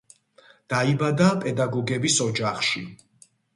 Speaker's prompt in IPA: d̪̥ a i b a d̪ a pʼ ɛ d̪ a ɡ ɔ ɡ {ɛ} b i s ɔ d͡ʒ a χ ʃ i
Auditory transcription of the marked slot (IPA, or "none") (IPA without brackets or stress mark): ɛ